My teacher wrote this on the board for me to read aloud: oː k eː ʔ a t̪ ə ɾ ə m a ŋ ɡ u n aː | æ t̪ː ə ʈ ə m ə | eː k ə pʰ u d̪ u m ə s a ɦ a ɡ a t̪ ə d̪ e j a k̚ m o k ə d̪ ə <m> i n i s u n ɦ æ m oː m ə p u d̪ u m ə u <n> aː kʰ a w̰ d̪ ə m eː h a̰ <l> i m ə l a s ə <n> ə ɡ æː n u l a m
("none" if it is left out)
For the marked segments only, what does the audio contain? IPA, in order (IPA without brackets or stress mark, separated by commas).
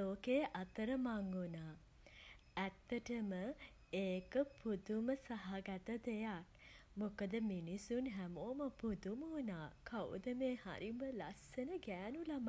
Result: m, n, ɾ, n